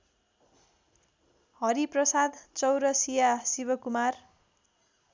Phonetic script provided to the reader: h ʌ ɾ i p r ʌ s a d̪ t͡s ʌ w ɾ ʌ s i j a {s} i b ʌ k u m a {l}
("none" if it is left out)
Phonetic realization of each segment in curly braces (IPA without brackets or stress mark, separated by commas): s, r